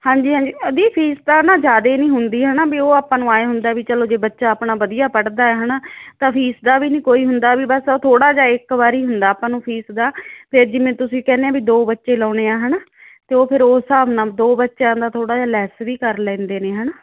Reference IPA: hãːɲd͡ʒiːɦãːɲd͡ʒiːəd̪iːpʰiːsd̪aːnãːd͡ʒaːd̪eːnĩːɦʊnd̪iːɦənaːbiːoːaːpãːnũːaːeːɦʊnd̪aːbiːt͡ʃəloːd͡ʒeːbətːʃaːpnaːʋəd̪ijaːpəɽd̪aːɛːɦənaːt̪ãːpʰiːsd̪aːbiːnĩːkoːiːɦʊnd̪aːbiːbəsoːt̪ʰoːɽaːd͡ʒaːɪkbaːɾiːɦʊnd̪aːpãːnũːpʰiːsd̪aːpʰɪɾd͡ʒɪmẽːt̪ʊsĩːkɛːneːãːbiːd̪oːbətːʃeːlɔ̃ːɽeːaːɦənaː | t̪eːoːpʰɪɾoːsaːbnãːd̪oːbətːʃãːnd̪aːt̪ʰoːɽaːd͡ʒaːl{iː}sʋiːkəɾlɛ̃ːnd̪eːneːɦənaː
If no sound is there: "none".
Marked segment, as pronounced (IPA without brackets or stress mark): ɛː